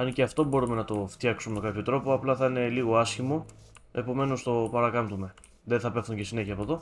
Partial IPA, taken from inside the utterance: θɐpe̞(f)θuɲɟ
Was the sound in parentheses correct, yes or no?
yes